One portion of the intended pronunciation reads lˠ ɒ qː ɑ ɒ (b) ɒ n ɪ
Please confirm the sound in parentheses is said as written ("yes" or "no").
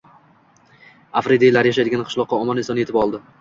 no